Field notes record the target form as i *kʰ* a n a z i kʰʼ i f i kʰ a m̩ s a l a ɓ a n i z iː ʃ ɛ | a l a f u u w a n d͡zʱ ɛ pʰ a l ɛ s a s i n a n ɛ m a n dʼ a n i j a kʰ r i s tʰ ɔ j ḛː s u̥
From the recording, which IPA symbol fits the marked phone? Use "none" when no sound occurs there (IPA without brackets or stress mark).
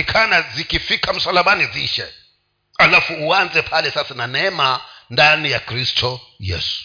kʰ